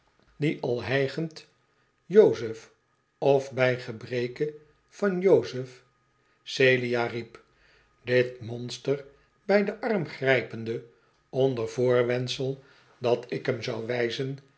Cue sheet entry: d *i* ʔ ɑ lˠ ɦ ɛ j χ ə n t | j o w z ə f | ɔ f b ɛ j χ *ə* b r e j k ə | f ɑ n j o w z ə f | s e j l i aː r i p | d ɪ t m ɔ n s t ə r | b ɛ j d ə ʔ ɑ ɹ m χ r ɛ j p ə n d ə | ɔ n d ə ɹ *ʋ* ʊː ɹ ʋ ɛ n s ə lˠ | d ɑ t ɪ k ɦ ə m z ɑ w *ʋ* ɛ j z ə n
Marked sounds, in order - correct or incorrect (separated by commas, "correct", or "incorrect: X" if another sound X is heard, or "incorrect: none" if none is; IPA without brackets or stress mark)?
correct, correct, incorrect: v, correct